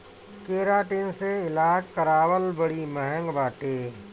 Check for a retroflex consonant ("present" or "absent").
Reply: present